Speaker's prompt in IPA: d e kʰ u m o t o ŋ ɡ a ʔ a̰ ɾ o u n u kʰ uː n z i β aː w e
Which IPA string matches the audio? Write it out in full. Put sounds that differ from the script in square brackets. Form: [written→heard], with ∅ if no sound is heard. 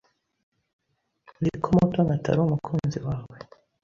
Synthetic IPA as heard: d [e→i] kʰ [u→o] m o t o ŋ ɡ a [ʔ→t] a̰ ɾ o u [n→m] u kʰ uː n z i [β→w] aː w e